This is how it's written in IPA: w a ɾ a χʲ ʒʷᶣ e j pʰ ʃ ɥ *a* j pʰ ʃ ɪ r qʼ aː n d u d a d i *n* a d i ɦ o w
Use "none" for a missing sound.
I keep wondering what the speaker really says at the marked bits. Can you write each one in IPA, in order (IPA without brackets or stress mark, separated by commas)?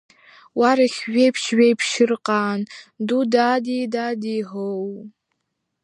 e, d